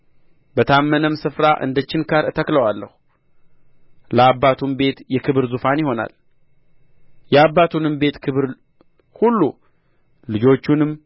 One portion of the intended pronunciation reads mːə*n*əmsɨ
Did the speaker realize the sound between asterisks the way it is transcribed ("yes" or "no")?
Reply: yes